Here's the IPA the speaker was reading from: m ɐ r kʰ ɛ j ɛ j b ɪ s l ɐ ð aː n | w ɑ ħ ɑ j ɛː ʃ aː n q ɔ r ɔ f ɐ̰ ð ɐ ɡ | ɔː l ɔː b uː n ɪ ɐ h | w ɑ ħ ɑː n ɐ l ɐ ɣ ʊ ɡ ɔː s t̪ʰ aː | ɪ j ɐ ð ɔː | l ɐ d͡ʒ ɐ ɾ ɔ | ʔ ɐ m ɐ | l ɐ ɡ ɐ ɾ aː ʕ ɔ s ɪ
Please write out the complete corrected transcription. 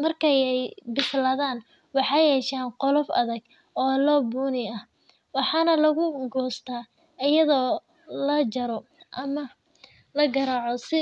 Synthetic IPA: m ɐ r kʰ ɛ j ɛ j b ɪ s l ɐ ð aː n | w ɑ ħ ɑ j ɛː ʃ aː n q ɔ l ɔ f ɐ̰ ð ɐ ɡ | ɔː l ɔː b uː n ɪ ɐ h | w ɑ ħ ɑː n ɐ l ɐ ɣ ʊ ɡ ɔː s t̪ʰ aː | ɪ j ɐ ð ɔː | l ɐ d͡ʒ ɐ ɾ ɔ | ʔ ɐ m ɐ | l ɐ ɡ ɐ ɾ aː ʕ ɔ s ɪ